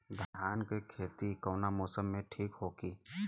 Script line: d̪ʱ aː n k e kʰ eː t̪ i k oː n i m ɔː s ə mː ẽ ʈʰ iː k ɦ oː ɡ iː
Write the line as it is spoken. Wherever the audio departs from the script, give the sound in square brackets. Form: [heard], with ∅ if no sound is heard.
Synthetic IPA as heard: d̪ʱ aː n k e kʰ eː t̪ i k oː n [a] m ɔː s ə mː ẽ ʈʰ iː k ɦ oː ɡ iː